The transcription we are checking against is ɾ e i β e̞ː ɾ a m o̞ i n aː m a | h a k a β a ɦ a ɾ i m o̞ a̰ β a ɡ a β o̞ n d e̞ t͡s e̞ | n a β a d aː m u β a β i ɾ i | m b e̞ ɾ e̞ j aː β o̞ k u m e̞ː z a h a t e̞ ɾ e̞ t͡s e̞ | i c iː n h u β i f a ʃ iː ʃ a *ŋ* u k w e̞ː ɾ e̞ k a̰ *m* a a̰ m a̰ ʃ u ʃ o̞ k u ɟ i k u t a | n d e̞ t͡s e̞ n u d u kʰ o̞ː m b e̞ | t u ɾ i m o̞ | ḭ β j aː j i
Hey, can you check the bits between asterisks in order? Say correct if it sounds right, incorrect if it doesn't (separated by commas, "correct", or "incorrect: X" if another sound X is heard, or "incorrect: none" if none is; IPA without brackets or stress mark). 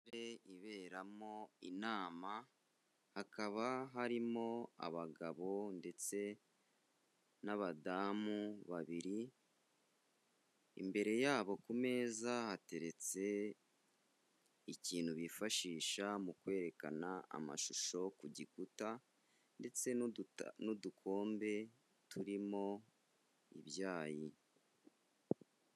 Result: incorrect: m, incorrect: n